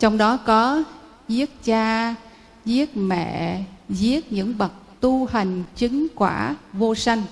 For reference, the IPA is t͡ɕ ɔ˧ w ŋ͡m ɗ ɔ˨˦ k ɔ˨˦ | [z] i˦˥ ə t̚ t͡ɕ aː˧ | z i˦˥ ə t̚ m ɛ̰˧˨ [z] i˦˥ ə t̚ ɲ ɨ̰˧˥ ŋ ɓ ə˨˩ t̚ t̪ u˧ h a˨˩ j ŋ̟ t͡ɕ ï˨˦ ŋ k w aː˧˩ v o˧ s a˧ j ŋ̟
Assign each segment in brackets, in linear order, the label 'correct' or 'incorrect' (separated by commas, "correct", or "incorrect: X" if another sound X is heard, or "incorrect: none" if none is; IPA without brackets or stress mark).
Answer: correct, correct